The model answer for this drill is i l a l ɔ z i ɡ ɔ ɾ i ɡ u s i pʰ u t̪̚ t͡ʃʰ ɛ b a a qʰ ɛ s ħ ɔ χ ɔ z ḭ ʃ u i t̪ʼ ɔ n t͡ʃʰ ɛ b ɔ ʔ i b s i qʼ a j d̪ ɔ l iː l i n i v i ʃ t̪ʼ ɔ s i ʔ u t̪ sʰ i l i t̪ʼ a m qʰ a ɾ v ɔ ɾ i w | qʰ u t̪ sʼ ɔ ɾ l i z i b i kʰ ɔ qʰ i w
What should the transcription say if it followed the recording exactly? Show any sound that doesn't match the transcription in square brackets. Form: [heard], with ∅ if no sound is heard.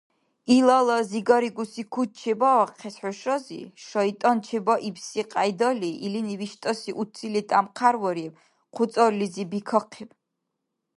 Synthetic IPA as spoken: i l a l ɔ z i ɡ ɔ ɾ i ɡ u s i [kʰ] u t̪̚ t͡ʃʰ ɛ b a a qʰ ɛ s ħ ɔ [ʃ] ɔ z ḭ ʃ [ɔ] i t̪ʼ ɔ n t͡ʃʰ ɛ b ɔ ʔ i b s i qʼ a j d̪ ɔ l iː l i n i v i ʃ t̪ʼ ɔ s i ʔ u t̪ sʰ i l i t̪ʼ a m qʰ a ɾ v ɔ ɾ i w | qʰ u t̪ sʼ ɔ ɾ l i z i b i kʰ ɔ qʰ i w